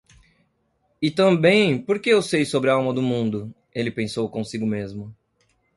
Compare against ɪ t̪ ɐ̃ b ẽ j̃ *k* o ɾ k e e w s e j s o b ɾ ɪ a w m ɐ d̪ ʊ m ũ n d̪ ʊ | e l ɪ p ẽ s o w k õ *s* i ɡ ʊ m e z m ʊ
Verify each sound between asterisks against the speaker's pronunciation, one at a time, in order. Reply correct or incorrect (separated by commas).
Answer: incorrect, correct